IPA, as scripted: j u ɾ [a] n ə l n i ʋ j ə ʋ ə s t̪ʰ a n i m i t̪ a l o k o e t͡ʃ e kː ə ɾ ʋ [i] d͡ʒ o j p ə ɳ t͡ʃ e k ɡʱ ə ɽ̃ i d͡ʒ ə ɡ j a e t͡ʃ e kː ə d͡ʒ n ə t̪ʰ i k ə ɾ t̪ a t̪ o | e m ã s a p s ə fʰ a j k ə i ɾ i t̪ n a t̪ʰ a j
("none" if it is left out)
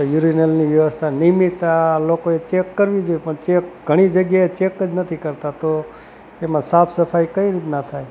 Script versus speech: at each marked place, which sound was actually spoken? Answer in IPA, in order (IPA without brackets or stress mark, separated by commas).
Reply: i, i